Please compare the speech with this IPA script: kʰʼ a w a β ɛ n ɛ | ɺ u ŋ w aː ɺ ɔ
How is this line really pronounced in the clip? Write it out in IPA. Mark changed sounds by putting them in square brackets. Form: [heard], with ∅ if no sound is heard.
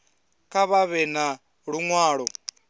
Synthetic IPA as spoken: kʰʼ a [β] a β ɛ n [a] | ɺ u ŋ w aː ɺ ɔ